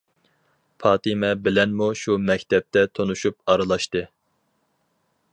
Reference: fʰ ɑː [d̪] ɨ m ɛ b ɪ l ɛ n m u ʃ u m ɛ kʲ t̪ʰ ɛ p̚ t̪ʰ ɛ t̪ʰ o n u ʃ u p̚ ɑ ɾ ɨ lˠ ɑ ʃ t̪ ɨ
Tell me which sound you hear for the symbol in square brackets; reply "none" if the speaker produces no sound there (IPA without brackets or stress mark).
t̪